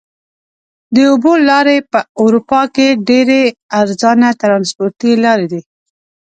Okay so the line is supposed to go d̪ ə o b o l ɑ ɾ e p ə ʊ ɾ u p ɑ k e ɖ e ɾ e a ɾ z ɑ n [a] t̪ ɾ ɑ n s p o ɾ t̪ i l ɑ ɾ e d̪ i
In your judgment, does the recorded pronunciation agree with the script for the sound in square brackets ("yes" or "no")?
yes